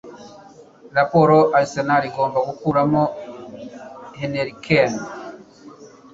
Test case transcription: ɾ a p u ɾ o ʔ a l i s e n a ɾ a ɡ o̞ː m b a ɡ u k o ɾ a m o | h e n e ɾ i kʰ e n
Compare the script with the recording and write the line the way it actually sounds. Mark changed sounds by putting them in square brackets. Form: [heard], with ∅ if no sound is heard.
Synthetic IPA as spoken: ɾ a p [o] ɾ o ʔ a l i s e n a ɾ [i] ɡ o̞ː m b a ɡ u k [u] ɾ a m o | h e n e ɾ i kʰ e n